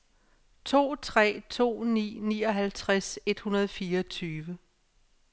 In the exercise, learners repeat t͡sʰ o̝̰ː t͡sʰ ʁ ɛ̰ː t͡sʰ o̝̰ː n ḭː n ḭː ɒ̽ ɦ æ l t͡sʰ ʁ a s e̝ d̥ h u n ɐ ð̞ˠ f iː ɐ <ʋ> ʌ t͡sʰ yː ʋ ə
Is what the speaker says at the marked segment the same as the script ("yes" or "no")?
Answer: no